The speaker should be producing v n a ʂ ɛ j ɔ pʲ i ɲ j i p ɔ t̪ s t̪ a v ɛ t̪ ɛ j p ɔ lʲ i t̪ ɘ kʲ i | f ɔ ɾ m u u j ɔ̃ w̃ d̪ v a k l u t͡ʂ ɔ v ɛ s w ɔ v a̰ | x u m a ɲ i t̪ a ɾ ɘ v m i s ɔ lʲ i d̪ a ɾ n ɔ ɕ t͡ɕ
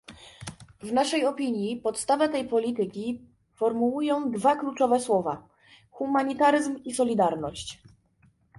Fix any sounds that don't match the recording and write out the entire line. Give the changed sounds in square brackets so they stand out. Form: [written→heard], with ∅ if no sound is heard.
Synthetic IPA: v n a ʂ ɛ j ɔ pʲ i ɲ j i p ɔ t̪ s t̪ a v ɛ t̪ ɛ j p ɔ lʲ i t̪ ɘ kʲ i | f ɔ ɾ m u u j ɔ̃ w̃ d̪ v a k l u t͡ʂ ɔ v ɛ s w ɔ v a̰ | x u m a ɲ i t̪ a ɾ ɘ [v→z] m i s ɔ lʲ i d̪ a ɾ n ɔ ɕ t͡ɕ